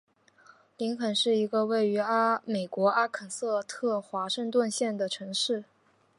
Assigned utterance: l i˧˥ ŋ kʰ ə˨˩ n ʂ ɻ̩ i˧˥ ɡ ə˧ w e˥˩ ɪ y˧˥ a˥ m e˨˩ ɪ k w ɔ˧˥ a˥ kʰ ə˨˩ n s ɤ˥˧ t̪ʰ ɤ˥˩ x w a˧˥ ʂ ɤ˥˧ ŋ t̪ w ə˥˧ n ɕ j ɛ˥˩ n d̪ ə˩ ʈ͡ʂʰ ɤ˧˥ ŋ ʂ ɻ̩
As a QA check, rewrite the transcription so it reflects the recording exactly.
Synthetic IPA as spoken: l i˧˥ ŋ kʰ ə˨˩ n ʂ ɻ̩ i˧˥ ɡ ə˧ w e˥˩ ɪ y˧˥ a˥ m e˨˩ ɪ k w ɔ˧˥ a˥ kʰ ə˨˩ n s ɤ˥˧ t̪ʰ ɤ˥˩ x w a˧˥ ʂ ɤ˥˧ ŋ t̪ w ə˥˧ n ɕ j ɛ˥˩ n d̪ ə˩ ʈ͡ʂʰ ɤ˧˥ ŋ ʂ ɻ̩